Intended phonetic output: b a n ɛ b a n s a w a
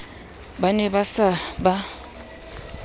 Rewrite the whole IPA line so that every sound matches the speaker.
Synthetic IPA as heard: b a n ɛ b a s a b a

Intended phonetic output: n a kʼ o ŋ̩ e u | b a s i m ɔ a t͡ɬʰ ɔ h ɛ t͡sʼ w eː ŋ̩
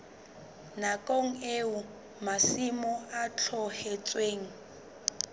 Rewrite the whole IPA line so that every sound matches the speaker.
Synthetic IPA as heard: n a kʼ o ŋ̩ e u | m a s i m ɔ a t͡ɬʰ ɔ h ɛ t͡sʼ w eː ŋ̩

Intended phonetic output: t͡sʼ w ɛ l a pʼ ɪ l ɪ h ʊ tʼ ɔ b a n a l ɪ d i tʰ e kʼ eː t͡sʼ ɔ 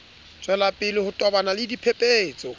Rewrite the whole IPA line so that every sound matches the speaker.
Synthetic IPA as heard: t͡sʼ w ɛ l a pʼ ɪ l ɪ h ʊ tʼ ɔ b a n a l ɪ d i pʰ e pʼ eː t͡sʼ ɔ

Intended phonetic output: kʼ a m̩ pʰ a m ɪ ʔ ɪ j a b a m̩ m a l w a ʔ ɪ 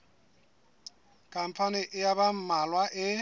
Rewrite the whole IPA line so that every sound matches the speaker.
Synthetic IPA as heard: kʼ a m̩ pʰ a n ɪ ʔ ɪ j a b a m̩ m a l w a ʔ ɪ

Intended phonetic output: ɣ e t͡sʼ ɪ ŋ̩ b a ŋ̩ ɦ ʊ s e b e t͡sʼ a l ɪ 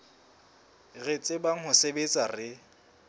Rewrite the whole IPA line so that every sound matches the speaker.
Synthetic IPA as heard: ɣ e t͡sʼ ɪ b a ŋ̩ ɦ ʊ s e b e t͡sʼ a r ɪ

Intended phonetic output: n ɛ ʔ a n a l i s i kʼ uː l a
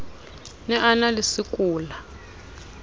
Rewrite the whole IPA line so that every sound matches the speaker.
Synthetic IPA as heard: n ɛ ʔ a n a l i s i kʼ uː l a

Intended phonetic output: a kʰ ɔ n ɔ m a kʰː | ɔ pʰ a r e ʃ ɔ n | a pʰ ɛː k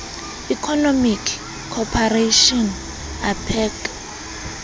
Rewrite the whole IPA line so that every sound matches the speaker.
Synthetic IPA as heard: i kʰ ɔ n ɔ m i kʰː | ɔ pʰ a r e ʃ ɔ n | a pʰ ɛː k

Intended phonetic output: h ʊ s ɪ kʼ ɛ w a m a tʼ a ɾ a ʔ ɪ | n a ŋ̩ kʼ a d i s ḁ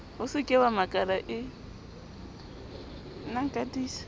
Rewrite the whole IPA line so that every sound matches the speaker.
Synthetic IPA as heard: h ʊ s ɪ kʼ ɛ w a m a kʼ a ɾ a ʔ ɪ | n a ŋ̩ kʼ a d iː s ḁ

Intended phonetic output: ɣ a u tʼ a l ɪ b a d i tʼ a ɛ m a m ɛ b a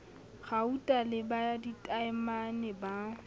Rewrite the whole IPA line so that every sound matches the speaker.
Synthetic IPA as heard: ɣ a u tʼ a l ɪ b a d i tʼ a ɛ m a n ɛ b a

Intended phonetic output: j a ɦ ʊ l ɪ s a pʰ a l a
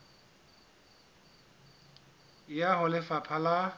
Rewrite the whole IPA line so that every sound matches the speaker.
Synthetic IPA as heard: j a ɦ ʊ l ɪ f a pʰ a l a

